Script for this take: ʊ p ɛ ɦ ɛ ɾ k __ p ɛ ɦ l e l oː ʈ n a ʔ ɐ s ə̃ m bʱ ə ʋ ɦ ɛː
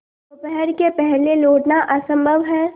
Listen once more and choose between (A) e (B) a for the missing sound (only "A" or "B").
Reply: A